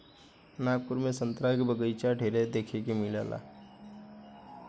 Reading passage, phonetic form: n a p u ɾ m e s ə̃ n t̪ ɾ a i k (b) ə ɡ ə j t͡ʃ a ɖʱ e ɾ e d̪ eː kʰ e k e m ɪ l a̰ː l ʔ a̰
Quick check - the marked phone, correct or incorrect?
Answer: correct